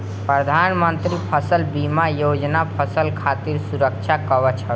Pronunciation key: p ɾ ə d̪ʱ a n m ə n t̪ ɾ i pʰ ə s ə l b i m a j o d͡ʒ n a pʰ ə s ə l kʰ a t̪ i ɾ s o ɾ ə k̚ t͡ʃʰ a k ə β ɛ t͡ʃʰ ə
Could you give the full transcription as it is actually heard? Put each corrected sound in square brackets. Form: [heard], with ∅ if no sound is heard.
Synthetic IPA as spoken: p ɾ ə d̪ʱ a n m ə n t̪ ɾ i pʰ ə s ə l b i m a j o d͡ʒ n a pʰ ə s ə l kʰ a t̪ i ɾ s [u] ɾ ə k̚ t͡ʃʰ a k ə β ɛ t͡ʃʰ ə